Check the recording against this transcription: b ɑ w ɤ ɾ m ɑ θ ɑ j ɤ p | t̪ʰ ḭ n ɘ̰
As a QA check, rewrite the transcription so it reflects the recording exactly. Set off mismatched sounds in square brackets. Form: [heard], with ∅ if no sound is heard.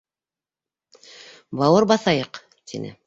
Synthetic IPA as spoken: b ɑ w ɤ ɾ [b] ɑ θ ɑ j ɤ [q] | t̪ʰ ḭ n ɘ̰